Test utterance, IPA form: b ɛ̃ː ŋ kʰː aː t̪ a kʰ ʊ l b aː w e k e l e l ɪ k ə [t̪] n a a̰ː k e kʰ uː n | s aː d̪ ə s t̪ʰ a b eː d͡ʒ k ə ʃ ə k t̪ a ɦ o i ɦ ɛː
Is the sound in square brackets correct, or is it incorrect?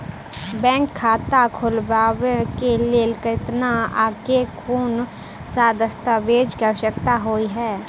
correct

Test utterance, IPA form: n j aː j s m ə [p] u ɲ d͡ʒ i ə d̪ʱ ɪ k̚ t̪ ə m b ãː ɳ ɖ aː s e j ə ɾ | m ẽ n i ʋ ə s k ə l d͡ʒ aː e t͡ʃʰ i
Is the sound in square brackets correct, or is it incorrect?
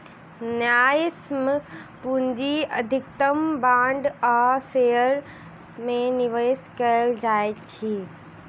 correct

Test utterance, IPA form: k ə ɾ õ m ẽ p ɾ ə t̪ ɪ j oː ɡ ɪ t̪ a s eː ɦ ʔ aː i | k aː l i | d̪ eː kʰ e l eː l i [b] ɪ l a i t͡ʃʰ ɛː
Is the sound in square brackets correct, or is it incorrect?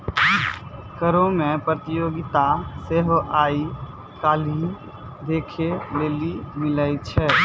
incorrect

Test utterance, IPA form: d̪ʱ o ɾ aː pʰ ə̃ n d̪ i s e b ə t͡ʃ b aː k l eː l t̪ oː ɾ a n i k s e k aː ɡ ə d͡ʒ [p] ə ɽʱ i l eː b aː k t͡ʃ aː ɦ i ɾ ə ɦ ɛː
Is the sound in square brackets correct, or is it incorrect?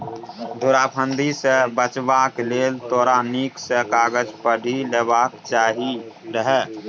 correct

